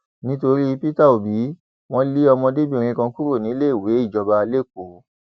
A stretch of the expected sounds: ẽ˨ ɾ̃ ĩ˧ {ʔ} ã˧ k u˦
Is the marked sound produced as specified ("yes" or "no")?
no